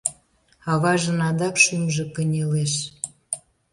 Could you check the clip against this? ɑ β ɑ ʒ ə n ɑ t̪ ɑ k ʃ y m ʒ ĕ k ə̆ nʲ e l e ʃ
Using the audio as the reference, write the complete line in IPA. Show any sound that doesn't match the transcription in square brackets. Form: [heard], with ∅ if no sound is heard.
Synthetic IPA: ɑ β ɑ ʒ ə n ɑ [d̪] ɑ k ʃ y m ʒ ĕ k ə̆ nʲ e l e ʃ